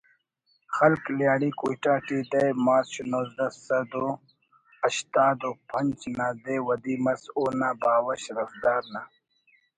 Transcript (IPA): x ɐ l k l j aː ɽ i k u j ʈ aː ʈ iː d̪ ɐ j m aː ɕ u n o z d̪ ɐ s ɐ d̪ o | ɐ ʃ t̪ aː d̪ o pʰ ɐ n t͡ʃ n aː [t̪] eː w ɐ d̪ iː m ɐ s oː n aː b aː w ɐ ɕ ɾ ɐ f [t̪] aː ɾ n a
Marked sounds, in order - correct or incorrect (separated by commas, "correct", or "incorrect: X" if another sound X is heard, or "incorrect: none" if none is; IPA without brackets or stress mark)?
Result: incorrect: d̪, incorrect: d̪